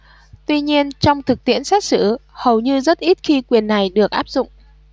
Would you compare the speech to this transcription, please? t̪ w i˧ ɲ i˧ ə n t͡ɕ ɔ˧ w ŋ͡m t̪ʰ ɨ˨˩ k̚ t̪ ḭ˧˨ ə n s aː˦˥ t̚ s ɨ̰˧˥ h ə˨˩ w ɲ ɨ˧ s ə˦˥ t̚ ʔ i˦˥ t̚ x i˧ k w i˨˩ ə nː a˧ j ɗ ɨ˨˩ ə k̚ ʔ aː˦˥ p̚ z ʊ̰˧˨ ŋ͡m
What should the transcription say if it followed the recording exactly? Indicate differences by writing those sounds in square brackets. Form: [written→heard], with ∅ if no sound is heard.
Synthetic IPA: t̪ w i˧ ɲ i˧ ə n t͡ɕ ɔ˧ w ŋ͡m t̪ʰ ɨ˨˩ k̚ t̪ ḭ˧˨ ə n s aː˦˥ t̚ s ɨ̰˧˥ h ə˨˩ w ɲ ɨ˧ [s→z] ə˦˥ t̚ ʔ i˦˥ t̚ x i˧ k w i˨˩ ə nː [a˧→a˨˩] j ɗ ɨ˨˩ ə k̚ ʔ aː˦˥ p̚ z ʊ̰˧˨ ŋ͡m